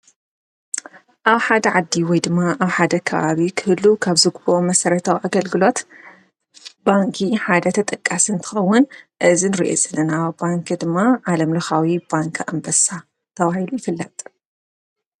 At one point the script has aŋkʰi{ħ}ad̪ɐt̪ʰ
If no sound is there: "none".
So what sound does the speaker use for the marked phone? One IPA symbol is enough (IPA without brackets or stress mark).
ħ